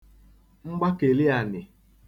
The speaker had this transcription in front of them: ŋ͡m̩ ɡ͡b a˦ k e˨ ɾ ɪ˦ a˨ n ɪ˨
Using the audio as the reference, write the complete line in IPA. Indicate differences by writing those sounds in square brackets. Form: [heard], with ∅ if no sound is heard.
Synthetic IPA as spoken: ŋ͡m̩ ɡ͡b a˦ k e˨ [l] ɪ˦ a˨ n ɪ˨

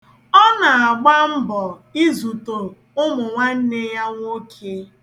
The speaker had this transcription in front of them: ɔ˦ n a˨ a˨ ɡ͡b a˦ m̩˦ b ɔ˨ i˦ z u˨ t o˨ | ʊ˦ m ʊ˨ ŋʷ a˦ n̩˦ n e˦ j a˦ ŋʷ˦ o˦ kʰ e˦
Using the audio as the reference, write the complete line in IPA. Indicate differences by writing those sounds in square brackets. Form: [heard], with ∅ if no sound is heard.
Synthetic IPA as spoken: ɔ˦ n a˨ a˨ ɡ͡b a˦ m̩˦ b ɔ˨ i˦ z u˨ t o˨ | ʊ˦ m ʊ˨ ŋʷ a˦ n̩˦ n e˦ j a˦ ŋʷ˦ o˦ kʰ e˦

